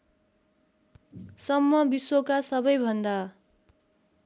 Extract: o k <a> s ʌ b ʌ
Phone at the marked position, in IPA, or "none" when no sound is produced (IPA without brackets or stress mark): a